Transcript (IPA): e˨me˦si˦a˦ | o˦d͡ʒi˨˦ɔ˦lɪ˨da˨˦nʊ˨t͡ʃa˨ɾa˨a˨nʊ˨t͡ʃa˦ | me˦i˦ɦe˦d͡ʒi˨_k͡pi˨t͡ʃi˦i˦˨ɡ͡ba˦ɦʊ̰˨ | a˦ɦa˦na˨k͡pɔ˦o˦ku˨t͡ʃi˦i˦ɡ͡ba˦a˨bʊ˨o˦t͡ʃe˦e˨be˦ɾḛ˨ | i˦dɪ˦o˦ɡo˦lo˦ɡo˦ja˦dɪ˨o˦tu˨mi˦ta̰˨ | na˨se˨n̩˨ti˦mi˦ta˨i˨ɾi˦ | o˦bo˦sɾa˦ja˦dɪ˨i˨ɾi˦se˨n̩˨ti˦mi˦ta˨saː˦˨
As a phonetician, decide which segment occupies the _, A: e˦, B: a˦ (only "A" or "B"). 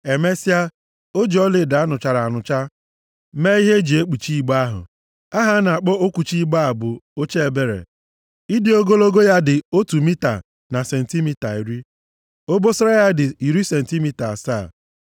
A